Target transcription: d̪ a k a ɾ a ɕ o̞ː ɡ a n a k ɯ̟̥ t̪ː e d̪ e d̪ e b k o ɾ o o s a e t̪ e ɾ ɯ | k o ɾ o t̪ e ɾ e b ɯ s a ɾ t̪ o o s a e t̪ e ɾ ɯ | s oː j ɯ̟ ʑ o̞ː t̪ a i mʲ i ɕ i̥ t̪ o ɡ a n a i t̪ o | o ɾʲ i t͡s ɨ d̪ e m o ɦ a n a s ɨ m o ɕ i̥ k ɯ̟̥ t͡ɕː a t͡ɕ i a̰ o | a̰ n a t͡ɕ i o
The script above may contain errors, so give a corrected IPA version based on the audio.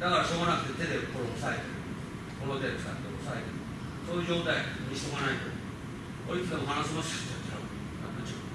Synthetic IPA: d̪ a k a ɾ a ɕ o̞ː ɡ a n a k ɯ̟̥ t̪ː e t̪ e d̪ e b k o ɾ o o s a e t̪ e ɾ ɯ | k o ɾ o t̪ e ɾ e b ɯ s a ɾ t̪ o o s a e t̪ e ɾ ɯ | s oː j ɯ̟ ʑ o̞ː t̪ a i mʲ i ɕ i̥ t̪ o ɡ a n a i t̪ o | o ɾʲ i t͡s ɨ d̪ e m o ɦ a n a s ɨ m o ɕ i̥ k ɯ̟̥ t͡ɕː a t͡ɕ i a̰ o | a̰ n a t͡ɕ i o